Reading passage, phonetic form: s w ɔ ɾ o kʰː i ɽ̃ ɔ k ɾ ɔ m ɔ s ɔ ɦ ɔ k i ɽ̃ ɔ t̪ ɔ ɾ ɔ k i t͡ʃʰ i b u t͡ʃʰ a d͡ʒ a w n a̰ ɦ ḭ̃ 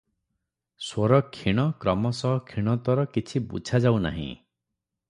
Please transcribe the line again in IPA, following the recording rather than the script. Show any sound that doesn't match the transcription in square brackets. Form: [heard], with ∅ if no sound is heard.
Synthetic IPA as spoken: s w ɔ ɾ [ɔ] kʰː i ɽ̃ ɔ k ɾ ɔ m ɔ s ɔ ɦ ɔ [kʰ] i ɽ̃ ɔ t̪ ɔ ɾ ɔ k i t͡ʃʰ i b u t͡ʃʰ a d͡ʒ a w n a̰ ɦ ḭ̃